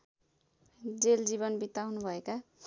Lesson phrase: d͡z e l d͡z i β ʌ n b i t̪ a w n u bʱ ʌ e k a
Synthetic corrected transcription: d͡z e l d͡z i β ʌ n b i t̪ a w n u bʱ ʌ e k a